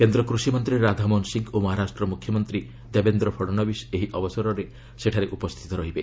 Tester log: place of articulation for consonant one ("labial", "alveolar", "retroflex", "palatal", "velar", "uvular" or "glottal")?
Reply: velar